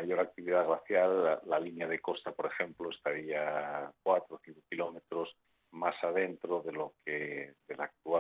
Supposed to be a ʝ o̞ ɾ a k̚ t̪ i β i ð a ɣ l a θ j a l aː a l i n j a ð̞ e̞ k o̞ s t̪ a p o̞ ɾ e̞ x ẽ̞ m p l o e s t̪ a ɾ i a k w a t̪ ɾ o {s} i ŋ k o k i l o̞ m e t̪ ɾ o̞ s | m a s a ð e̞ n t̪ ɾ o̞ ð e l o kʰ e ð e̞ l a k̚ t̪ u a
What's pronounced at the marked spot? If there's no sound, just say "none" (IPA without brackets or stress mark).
θ